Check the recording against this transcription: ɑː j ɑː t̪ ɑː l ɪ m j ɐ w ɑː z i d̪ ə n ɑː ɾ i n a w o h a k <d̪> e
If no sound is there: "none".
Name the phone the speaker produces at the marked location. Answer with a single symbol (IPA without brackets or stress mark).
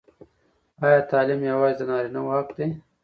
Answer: d̪